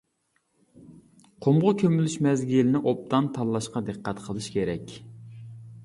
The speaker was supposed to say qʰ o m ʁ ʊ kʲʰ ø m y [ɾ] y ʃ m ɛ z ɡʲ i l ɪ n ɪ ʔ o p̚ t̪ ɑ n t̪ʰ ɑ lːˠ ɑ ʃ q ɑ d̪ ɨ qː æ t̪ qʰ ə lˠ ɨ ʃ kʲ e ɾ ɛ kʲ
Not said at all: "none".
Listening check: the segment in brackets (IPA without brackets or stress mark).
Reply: l